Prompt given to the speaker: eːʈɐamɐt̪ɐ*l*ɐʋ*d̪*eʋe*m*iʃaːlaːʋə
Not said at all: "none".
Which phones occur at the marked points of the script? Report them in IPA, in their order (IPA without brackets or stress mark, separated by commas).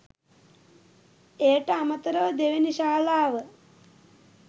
ɾ, d̪, n